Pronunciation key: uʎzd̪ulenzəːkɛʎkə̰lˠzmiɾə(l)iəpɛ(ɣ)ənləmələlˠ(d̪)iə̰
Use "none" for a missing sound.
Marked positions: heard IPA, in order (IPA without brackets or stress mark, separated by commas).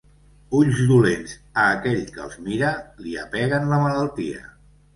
l, ɣ, t̪